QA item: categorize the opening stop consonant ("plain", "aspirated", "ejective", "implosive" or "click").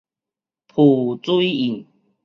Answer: aspirated